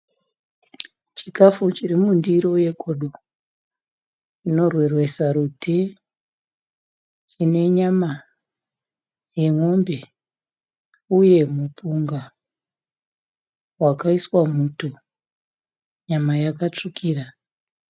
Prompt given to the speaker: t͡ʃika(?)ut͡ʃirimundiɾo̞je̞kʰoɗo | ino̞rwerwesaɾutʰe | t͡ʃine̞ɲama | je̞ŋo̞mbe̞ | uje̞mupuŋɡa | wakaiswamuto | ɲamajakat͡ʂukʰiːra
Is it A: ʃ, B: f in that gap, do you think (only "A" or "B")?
B